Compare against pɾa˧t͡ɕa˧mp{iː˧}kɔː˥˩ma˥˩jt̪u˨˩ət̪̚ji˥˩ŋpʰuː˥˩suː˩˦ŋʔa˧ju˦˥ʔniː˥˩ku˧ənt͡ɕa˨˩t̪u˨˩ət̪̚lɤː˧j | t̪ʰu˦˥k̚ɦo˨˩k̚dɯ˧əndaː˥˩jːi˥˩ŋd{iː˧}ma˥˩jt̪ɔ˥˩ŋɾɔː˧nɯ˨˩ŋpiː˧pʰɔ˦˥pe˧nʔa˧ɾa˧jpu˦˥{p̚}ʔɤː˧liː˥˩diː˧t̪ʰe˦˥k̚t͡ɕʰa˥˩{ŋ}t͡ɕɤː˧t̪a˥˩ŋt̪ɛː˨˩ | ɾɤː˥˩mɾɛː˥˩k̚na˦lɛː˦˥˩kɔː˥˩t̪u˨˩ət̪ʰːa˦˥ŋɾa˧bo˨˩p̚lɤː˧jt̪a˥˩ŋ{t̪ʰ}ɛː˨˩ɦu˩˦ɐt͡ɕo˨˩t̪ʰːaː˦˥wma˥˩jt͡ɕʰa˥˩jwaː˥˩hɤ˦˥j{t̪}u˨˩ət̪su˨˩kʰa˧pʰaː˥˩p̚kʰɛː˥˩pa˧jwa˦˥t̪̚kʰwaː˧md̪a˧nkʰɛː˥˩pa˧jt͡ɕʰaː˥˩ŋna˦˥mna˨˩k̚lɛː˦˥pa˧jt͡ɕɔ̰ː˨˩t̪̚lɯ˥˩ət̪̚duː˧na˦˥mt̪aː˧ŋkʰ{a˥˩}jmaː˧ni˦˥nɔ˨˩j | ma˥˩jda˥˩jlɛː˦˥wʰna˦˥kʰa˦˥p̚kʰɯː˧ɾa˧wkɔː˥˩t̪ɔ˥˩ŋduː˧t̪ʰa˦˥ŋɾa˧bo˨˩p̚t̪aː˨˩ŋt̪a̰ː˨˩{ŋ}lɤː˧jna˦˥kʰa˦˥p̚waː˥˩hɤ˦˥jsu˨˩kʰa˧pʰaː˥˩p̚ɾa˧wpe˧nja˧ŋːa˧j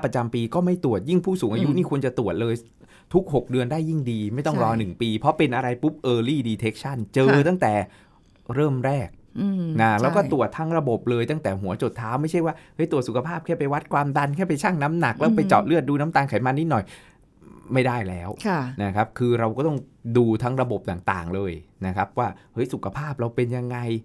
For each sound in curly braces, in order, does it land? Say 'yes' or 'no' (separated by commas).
yes, yes, yes, no, no, yes, no, yes